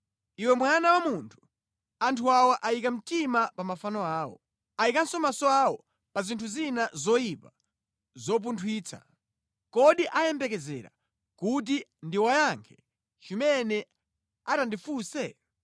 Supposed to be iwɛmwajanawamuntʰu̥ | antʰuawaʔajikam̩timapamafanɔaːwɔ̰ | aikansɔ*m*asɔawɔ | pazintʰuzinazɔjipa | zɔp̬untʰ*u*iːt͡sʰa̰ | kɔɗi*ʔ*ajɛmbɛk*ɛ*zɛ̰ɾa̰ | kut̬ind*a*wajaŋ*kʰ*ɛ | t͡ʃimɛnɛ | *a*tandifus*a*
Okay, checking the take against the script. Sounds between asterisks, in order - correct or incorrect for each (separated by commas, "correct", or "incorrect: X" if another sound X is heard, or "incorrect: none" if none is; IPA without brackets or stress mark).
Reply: correct, incorrect: w, correct, correct, incorrect: i, correct, correct, incorrect: ɛ